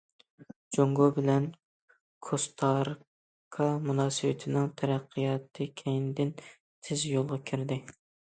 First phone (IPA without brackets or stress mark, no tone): d͡ʒ